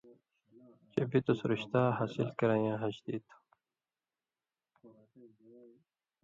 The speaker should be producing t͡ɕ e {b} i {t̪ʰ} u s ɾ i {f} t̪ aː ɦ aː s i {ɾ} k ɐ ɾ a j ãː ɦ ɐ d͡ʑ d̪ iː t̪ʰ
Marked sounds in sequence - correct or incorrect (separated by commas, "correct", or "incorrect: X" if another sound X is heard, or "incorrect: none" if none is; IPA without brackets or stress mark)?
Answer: correct, incorrect: t̪, incorrect: ɕ, incorrect: l